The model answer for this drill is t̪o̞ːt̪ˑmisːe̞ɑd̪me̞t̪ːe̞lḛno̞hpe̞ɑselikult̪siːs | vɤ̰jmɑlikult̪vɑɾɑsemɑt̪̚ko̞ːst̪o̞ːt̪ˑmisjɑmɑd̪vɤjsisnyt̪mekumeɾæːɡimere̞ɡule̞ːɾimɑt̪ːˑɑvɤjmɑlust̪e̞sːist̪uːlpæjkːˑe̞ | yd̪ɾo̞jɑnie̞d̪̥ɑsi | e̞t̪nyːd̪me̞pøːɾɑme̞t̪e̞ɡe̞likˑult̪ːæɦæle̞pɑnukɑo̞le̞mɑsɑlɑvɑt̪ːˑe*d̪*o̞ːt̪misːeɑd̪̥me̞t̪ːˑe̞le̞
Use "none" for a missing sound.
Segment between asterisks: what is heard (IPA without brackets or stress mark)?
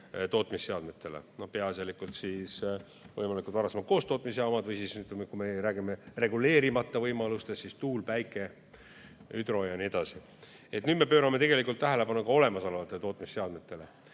t̪